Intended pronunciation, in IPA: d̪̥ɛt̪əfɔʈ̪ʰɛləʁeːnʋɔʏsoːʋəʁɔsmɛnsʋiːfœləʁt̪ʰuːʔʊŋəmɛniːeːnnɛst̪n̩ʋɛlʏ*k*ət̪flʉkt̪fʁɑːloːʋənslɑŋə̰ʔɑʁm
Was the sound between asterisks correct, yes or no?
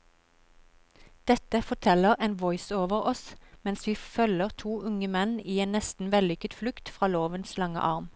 yes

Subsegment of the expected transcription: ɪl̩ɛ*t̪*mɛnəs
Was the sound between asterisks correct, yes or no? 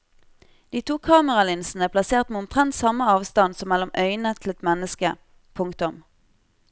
yes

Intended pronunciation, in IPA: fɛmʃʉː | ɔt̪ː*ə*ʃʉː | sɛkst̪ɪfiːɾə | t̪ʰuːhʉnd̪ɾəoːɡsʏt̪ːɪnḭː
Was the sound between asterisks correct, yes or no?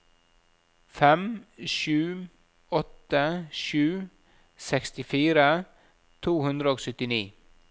yes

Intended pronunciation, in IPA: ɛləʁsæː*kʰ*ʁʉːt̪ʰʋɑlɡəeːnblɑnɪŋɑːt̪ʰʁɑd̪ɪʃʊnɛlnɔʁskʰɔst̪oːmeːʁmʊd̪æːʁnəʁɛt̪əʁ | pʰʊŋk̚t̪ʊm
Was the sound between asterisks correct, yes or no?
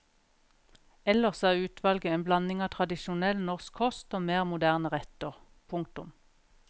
no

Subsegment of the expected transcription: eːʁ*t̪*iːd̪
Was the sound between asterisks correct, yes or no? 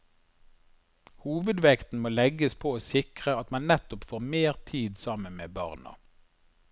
no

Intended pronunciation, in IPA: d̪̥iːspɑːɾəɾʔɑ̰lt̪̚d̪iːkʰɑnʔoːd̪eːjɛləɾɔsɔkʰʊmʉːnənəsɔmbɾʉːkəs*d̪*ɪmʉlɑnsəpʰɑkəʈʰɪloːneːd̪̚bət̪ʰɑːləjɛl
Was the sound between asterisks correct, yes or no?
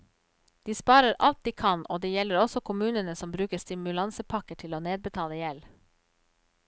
no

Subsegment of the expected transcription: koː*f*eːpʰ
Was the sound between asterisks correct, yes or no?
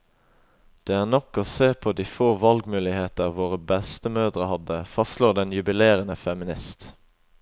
no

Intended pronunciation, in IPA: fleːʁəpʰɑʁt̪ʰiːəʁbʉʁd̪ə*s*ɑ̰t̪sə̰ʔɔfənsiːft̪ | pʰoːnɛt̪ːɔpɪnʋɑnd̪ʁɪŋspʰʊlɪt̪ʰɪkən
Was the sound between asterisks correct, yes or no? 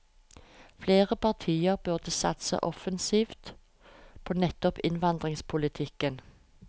yes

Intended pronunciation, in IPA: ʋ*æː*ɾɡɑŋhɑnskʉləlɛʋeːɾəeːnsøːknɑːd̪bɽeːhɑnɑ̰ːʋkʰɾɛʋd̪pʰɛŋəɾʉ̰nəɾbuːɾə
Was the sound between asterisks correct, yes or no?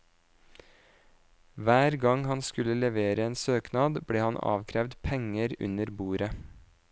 yes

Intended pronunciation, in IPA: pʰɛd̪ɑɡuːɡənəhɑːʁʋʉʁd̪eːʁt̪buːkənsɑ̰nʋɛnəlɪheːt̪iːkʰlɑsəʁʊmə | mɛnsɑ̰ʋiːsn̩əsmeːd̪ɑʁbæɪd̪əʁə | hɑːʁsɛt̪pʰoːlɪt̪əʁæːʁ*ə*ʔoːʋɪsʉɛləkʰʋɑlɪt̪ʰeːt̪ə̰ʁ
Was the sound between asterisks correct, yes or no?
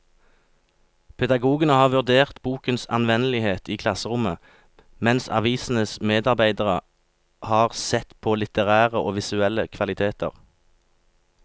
yes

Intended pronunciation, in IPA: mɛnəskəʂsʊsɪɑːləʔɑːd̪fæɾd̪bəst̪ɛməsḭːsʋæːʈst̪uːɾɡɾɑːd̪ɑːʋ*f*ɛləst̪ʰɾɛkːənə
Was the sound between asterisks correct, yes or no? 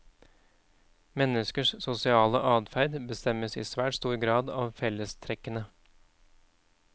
yes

